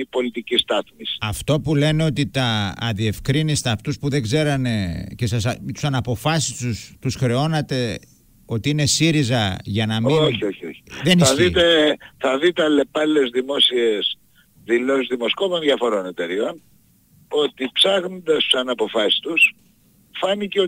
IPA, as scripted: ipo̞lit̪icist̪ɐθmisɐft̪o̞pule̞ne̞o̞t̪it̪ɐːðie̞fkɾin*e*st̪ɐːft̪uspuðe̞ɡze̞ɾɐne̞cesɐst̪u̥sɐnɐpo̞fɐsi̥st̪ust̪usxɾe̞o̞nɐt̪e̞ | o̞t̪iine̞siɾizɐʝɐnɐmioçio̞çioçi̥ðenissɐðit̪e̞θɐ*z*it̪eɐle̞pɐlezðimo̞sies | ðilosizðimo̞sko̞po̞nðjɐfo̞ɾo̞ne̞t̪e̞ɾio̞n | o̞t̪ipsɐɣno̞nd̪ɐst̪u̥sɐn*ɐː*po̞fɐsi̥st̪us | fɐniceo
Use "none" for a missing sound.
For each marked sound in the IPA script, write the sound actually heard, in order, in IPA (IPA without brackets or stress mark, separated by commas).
i, ð, ɐ